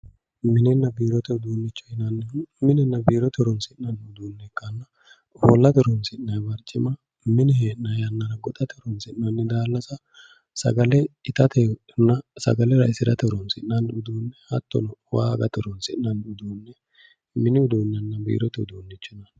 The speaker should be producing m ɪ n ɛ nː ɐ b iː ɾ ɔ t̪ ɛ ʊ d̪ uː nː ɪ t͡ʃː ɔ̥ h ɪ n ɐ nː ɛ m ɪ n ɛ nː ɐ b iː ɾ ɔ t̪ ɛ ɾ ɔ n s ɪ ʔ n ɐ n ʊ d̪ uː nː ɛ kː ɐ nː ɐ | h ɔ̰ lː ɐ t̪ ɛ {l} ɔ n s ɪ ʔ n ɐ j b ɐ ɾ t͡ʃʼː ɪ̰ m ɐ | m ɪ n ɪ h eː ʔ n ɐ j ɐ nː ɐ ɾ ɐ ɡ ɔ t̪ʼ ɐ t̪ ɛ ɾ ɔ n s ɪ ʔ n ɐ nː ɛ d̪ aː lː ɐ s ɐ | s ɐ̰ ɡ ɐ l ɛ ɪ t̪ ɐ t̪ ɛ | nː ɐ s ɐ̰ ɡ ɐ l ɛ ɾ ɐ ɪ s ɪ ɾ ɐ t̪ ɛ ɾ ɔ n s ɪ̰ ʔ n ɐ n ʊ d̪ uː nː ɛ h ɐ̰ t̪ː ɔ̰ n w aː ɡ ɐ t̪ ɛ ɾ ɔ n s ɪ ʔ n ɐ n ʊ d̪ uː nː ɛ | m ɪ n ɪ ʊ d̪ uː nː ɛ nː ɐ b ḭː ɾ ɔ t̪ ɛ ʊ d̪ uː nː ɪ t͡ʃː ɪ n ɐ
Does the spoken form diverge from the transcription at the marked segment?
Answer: yes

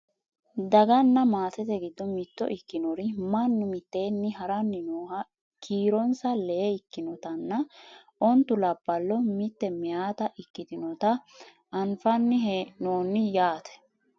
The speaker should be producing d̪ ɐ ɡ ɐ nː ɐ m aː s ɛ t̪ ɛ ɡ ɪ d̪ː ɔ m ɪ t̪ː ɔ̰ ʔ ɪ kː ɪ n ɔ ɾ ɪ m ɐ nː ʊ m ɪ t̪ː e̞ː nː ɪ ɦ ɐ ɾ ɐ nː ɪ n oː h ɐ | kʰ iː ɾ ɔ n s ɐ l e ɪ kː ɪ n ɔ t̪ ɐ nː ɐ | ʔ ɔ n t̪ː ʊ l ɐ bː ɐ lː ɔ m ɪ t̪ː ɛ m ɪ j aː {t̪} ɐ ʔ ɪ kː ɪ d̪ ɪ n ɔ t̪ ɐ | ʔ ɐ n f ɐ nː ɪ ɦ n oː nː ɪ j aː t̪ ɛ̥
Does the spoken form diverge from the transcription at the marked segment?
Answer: no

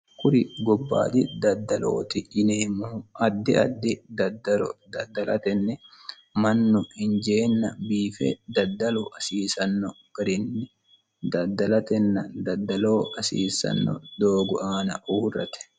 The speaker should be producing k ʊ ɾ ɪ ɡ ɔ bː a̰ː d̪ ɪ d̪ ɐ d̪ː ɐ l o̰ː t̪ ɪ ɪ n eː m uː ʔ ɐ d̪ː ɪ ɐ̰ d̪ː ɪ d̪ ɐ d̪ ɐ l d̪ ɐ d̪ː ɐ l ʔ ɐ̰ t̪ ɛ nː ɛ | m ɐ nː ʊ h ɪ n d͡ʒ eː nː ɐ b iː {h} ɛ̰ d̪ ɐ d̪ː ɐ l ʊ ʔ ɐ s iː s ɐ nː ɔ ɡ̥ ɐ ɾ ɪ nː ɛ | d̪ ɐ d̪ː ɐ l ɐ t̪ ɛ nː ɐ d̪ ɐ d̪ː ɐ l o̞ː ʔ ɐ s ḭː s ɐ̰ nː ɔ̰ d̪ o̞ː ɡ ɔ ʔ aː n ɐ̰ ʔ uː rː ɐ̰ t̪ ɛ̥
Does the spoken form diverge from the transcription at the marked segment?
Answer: yes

